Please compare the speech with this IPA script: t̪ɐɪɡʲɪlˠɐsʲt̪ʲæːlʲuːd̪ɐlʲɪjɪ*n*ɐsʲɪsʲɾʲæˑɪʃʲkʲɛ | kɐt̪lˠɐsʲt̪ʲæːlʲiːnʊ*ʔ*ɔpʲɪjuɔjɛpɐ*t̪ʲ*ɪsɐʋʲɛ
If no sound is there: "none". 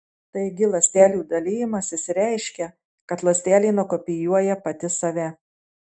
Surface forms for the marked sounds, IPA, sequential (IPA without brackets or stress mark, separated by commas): m, k, t̪ʲ